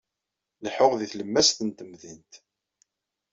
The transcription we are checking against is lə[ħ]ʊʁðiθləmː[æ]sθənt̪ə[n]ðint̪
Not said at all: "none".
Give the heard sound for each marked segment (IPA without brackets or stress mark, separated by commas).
ħ, æ, m